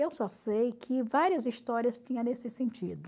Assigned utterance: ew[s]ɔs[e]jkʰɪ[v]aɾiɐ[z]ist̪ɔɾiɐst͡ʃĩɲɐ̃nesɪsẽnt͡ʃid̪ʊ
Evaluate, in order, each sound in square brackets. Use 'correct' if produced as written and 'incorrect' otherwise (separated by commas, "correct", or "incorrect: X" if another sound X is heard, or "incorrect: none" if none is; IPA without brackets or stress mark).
correct, correct, correct, correct